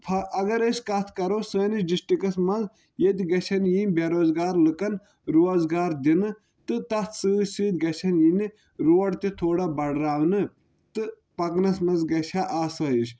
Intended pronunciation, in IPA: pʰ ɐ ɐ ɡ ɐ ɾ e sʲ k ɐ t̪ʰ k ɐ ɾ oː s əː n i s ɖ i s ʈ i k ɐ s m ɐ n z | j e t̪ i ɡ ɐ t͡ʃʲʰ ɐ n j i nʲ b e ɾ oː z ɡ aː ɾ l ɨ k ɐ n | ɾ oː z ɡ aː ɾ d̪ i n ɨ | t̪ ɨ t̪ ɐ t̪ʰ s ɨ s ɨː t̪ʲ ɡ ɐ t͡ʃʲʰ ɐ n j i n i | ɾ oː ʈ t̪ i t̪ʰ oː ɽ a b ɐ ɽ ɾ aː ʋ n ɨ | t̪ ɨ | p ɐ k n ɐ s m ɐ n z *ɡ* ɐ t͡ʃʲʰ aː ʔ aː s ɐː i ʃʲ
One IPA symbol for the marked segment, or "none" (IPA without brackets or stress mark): ɡ